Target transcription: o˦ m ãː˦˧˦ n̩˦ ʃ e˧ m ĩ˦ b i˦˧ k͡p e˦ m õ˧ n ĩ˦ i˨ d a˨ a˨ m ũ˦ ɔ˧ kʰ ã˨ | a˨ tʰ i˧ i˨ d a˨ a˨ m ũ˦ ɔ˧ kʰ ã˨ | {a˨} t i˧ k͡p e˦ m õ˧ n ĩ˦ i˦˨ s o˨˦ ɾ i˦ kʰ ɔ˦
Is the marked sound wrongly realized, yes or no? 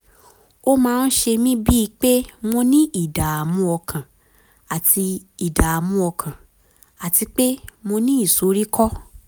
no